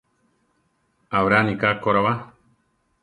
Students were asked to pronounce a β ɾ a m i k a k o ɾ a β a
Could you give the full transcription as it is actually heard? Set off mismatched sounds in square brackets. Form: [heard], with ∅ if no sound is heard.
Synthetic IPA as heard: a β ɾ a [n] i k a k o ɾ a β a